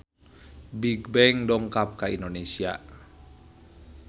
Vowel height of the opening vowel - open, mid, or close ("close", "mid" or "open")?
close